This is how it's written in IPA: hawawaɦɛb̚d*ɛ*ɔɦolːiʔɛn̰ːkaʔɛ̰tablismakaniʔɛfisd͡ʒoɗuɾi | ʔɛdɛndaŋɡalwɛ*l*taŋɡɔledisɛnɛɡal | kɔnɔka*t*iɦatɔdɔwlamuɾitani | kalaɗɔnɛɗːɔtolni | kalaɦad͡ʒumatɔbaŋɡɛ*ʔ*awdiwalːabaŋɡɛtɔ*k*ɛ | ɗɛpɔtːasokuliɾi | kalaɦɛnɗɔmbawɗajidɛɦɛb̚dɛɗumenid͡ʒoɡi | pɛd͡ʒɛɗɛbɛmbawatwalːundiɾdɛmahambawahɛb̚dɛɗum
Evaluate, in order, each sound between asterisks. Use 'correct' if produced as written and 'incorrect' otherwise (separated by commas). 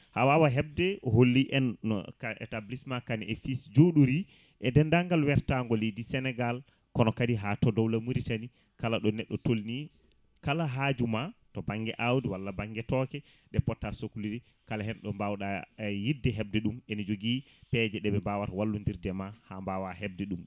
correct, incorrect, incorrect, correct, correct